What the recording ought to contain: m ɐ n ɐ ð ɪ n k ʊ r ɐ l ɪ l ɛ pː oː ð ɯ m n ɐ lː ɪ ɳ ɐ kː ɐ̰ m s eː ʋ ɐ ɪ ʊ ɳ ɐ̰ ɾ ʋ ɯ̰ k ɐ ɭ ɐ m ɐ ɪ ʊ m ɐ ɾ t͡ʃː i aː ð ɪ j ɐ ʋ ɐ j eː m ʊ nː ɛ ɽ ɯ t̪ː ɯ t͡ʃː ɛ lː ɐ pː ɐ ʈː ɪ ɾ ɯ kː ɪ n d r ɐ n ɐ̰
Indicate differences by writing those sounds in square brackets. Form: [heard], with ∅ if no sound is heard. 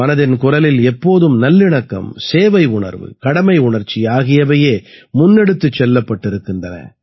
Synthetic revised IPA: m ɐ n ɐ ð ɪ n k ʊ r ɐ l ɪ l ɛ pː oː ð ɯ m n ɐ lː ɪ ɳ ɐ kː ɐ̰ m s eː ʋ ɐ ɪ ʊ ɳ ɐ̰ ɾ ʋ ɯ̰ k ɐ [ɽ] ɐ m ɐ ɪ ʊ [ɳ] ɐ ɾ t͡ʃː i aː [ɣ] ɪ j ɐ ʋ ɐ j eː m ʊ nː ɛ ɽ ɯ t̪ː ɯ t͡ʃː ɛ lː ɐ pː ɐ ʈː ɪ ɾ ɯ kː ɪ n d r ɐ n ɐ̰